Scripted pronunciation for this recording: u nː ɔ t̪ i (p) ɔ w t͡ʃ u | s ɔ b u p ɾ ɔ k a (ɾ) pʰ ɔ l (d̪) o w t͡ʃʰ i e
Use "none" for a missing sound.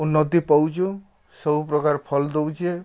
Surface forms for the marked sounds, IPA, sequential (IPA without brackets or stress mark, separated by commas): p, ɾ, d̪